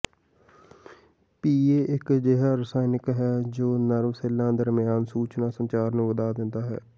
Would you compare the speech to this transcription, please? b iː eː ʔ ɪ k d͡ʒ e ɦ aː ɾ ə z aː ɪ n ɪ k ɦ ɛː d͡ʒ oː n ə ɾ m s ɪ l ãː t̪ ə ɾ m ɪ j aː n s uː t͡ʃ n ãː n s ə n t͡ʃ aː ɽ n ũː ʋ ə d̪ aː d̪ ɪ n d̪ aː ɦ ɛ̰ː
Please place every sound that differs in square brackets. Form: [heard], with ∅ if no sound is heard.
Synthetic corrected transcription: [p] iː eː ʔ ɪ k d͡ʒ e ɦ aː ɾ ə [s] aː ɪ n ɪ k ɦ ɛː d͡ʒ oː n ə ɾ m s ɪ l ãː [d̪] ə ɾ m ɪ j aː n s uː t͡ʃ n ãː [∅] s ə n t͡ʃ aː [ɾ] n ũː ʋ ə d̪ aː d̪ ɪ n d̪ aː ɦ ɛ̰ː